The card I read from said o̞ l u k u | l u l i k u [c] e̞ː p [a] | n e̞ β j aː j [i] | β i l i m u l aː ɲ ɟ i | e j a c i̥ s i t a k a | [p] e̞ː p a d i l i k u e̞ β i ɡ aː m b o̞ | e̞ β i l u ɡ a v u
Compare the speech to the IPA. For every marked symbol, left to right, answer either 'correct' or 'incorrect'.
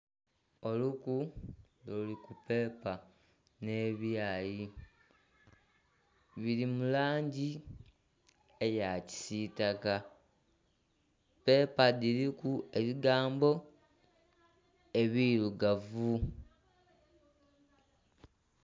incorrect, correct, correct, correct

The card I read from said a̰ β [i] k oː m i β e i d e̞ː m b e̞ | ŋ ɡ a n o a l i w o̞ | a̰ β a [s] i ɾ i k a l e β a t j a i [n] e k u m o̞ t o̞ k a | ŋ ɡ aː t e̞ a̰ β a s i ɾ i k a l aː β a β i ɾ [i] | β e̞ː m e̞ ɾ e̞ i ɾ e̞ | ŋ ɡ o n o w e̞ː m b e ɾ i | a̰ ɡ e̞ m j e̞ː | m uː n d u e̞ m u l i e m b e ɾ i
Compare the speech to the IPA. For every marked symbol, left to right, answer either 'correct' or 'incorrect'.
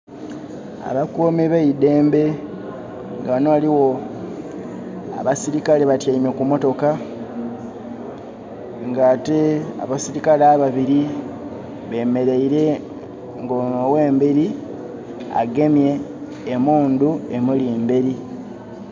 incorrect, correct, incorrect, correct

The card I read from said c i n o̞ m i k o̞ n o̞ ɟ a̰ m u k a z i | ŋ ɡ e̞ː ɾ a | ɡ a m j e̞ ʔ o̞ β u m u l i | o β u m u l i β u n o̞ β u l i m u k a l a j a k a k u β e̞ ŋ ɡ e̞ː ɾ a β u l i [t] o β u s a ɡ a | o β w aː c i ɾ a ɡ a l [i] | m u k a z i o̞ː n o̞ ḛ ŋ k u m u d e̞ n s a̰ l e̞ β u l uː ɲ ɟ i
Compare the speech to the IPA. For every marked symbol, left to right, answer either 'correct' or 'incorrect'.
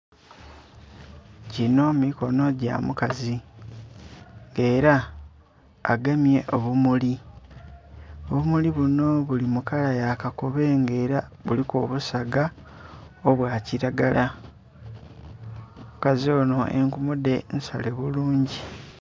incorrect, incorrect

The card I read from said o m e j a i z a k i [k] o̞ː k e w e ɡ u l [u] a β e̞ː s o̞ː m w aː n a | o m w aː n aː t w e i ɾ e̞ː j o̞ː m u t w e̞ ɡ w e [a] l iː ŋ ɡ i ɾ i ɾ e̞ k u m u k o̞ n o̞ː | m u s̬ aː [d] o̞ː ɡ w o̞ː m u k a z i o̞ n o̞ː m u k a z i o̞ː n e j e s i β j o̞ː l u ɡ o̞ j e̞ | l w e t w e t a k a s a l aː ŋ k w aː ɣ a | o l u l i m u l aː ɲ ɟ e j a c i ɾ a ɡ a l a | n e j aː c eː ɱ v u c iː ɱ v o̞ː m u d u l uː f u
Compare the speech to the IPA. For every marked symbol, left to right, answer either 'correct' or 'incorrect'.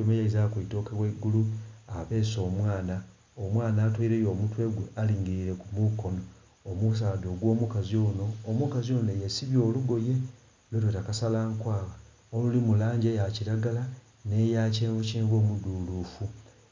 incorrect, correct, correct, correct

